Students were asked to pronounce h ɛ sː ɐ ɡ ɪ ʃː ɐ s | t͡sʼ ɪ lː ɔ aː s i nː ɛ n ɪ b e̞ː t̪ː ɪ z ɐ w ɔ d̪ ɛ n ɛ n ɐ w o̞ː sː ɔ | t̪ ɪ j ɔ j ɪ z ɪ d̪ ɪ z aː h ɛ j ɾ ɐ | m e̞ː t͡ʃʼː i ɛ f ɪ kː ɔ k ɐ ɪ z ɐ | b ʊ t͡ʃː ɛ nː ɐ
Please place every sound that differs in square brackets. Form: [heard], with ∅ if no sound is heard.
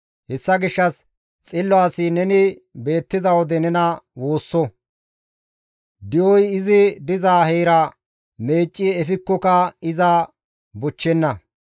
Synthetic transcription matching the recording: h ɛ sː ɐ ɡ ɪ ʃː ɐ s | t͡sʼ ɪ lː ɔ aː s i [n] ɛ n ɪ b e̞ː t̪ː ɪ z ɐ w ɔ d̪ ɛ n ɛ n ɐ w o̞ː sː ɔ | [d̪] ɪ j ɔ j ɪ z ɪ d̪ ɪ z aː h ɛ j ɾ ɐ | m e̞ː t͡ʃʼː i ɛ f ɪ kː ɔ k ɐ ɪ z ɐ | b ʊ t͡ʃː ɛ nː ɐ